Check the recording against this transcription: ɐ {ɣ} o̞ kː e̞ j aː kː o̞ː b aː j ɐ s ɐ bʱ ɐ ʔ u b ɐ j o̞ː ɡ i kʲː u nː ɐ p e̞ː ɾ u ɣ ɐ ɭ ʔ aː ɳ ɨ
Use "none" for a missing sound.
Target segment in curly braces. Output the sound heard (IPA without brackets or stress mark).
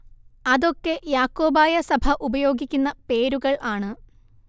ð